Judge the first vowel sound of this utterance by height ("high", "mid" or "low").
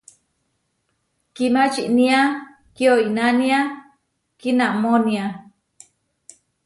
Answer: high